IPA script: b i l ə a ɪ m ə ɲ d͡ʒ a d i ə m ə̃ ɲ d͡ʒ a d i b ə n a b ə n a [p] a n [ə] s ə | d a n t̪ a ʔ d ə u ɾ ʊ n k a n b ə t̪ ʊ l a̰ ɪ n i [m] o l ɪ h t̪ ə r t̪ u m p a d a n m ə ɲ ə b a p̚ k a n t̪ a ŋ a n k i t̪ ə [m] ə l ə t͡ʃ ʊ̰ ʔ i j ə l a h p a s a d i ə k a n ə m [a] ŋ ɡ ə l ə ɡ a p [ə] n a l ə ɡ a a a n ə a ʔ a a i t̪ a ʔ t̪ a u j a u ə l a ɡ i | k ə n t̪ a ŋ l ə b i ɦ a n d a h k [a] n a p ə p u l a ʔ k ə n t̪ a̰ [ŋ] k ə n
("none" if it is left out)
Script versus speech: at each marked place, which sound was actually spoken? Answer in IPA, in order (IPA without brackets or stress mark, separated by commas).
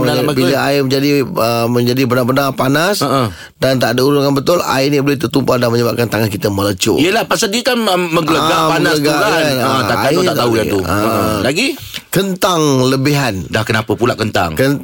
p, a, b, m, ə, a, ə, ŋ